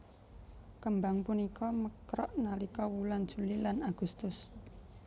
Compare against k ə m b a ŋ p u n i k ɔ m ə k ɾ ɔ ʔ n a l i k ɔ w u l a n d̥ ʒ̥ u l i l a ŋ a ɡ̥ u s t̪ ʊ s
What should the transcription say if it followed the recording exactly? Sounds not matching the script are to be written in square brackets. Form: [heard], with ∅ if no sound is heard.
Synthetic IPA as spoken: k ə m b a ŋ p u n i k ɔ m ə k ɾ ɔ ʔ n a l i k ɔ w u l a n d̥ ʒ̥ u l i l a [n] a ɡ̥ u s t̪ ʊ s